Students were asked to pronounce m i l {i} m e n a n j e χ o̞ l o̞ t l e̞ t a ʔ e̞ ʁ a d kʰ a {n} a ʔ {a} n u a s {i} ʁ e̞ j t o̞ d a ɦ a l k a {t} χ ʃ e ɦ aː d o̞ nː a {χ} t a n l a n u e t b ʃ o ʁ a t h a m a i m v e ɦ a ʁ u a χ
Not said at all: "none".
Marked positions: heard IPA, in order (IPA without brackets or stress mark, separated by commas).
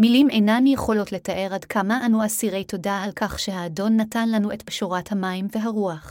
i, m, a, i, none, none